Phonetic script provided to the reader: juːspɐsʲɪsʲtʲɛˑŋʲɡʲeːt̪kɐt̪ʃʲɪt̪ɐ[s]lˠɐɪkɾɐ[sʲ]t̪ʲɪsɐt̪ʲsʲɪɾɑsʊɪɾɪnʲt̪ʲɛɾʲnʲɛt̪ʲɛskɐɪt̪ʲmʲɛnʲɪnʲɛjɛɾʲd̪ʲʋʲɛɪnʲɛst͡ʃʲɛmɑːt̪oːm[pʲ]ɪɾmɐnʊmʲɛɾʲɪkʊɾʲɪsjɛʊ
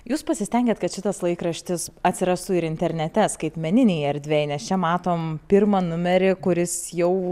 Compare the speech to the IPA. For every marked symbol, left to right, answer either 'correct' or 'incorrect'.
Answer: correct, incorrect, correct

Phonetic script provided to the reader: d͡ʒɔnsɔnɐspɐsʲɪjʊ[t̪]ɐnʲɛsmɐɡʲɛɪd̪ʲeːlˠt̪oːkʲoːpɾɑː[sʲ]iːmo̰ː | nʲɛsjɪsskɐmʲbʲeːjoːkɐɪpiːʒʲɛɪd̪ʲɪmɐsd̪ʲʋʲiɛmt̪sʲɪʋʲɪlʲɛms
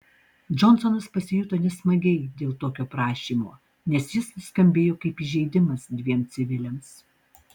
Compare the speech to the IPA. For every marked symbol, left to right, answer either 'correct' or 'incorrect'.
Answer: correct, incorrect

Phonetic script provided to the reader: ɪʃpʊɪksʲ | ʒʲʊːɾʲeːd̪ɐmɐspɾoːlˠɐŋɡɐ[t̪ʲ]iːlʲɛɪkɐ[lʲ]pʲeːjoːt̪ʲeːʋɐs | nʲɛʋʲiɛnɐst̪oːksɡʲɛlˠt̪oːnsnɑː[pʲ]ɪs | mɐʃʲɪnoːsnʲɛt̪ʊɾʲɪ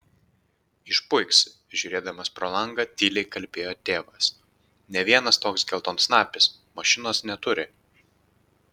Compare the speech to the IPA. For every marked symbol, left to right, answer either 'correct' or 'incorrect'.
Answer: correct, correct, correct

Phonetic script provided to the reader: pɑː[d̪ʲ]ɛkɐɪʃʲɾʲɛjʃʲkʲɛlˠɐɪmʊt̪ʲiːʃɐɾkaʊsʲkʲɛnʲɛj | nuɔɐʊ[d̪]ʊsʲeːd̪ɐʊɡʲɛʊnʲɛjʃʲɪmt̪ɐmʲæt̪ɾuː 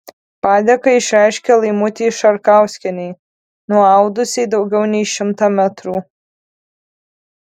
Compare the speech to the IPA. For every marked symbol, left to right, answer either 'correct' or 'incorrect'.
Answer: correct, correct

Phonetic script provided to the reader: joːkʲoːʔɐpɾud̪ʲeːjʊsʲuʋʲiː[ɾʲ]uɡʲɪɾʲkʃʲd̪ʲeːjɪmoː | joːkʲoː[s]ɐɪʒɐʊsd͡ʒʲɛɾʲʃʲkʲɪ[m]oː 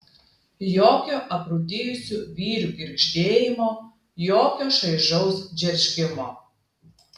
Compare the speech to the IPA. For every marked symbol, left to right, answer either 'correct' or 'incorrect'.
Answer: correct, incorrect, correct

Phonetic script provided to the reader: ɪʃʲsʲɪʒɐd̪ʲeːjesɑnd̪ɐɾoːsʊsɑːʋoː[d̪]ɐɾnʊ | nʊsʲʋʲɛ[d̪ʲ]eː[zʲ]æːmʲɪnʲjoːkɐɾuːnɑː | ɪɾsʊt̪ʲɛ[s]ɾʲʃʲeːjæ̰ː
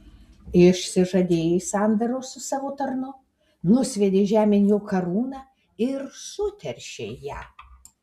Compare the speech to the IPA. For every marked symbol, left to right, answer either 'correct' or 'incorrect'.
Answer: incorrect, correct, incorrect, incorrect

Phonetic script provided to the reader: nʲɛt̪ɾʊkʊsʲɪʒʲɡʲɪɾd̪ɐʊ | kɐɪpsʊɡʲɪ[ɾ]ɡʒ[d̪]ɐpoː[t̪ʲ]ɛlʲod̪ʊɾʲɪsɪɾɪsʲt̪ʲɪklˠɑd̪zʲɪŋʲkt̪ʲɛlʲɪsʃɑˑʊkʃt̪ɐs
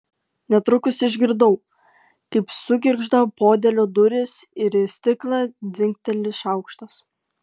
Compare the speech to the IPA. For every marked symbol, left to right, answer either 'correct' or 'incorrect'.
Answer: correct, correct, incorrect

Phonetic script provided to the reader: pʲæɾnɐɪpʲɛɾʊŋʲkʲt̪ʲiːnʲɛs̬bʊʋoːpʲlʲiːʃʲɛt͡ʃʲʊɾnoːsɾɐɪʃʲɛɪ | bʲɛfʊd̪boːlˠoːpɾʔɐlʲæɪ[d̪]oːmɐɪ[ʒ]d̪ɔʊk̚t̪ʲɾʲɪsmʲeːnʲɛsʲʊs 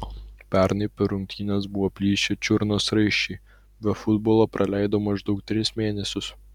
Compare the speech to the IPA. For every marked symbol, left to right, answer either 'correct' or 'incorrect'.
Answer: correct, correct

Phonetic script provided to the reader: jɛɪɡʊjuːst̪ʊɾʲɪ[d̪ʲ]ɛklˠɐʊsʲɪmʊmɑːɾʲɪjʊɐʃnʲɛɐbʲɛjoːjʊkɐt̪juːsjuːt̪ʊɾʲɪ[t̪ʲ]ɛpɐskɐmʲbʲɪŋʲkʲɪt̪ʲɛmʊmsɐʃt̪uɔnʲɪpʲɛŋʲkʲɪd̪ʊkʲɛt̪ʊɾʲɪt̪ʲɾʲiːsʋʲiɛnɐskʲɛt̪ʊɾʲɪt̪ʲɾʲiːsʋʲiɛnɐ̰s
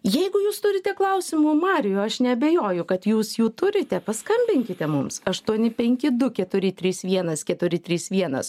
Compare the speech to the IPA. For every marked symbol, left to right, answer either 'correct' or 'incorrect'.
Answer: incorrect, correct

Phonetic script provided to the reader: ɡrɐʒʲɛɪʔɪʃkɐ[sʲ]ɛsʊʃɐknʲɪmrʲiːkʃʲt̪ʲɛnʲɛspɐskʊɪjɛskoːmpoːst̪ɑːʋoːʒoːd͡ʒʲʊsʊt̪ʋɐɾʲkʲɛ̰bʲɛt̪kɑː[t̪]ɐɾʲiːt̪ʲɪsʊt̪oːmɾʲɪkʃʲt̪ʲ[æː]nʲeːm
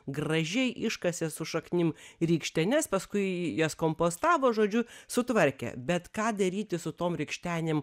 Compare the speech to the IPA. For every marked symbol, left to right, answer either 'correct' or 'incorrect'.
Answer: correct, incorrect, correct

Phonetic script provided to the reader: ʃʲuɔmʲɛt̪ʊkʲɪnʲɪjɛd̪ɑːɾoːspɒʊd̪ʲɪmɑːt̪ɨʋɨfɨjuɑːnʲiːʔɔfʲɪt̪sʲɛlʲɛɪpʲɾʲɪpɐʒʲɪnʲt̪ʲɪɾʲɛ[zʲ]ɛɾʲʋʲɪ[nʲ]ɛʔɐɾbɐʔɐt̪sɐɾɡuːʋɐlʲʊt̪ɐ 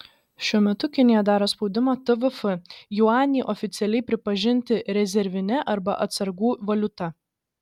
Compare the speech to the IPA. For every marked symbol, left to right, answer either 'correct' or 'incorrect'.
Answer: correct, correct

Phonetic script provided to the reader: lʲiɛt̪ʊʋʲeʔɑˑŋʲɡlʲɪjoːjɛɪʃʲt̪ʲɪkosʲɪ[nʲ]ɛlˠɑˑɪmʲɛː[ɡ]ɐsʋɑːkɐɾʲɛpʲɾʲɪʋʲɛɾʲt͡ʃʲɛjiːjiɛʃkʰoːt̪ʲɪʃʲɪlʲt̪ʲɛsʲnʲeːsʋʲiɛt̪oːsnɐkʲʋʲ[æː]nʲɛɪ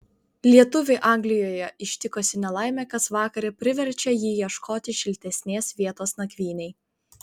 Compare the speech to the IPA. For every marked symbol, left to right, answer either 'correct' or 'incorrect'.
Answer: correct, incorrect, incorrect

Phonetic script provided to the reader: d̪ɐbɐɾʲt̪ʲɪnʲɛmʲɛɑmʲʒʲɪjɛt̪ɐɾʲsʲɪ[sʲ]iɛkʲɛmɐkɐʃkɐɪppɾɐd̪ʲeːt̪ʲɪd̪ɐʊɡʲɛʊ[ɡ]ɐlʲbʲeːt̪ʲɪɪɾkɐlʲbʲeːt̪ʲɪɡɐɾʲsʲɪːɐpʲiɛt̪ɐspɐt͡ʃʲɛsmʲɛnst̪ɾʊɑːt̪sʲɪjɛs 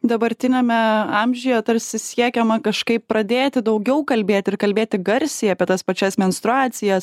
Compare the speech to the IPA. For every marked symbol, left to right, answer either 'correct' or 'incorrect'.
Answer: correct, incorrect

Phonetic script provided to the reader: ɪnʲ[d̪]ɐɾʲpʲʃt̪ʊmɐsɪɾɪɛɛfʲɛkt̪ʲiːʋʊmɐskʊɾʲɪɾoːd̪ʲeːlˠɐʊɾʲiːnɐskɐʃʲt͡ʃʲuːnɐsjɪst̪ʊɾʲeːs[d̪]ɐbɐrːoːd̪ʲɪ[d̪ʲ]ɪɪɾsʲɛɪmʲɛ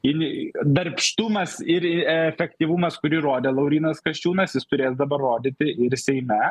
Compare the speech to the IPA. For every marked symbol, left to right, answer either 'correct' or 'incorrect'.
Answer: correct, correct, incorrect

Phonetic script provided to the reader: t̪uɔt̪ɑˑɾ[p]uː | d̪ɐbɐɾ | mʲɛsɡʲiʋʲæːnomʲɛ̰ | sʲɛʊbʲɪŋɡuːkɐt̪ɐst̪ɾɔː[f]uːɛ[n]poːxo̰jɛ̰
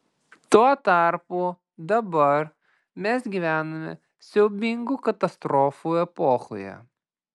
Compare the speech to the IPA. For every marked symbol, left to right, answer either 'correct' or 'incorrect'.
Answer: correct, correct, incorrect

